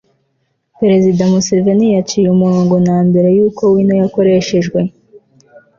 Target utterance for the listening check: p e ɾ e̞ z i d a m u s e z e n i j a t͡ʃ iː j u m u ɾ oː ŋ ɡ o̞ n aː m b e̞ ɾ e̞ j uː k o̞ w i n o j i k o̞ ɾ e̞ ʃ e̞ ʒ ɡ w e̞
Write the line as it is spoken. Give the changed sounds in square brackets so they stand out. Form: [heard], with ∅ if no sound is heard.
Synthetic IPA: p e ɾ e̞ z i d a m u s e [v] e n i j a t͡ʃ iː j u m u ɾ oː ŋ ɡ o̞ n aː m b e̞ ɾ e̞ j uː k o̞ w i n o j [a] k o̞ ɾ e̞ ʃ e̞ ʒ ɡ w e̞